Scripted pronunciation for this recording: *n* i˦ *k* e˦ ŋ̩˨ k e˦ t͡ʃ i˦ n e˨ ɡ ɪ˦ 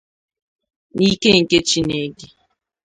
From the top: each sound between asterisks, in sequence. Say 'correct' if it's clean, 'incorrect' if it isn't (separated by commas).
correct, correct